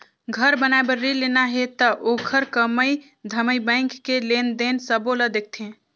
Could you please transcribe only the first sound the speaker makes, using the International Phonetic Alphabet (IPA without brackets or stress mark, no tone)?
ɡʱ